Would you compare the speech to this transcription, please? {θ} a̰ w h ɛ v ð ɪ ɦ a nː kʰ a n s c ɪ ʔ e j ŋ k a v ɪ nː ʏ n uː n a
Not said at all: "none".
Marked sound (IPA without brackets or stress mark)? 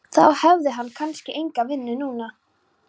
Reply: θ